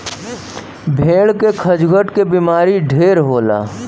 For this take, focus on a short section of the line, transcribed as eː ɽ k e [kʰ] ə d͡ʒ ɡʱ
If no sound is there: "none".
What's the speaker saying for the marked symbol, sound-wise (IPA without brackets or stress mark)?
kʰ